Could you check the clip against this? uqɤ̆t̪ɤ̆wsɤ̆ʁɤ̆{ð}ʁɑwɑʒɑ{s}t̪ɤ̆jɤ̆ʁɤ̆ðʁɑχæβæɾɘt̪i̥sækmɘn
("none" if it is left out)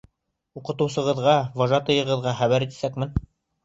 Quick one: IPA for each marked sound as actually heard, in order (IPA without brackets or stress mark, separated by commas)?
ð, none